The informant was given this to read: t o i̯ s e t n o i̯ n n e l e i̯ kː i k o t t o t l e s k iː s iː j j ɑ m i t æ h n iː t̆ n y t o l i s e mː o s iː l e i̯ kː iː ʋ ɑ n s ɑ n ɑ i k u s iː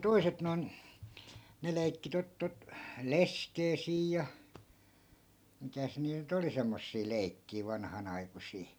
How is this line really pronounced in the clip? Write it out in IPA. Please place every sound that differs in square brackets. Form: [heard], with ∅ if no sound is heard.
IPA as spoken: t o i̯ s e t n o i̯ n n e l e i̯ kː i [t] o t t o t l e s k [eː] s iː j j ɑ m i t æ [s] n iː t̆ n y t o l i s e mː o [sː] iː l e i̯ kː iː ʋ ɑ n [h] ɑ n ɑ i k u s iː